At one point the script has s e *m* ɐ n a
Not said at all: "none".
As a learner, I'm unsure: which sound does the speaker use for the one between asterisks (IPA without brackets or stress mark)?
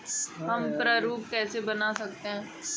b